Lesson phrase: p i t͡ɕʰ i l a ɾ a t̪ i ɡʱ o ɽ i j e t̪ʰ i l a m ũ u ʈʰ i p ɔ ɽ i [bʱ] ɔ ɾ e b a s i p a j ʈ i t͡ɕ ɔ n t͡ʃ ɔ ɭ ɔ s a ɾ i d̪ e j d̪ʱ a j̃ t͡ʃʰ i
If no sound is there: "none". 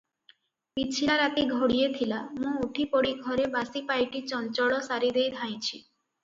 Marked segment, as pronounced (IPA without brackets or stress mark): ɡʱ